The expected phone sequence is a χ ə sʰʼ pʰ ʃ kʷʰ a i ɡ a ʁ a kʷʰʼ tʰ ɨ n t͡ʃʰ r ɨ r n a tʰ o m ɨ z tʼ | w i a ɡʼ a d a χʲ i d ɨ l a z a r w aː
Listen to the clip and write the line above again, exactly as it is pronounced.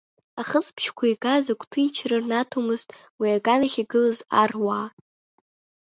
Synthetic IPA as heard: a χ ə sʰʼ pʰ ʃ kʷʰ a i ɡ a z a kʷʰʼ tʰ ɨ n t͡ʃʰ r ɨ r n a tʰ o m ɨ z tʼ | w i a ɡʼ a n a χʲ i ɡ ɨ l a z a r w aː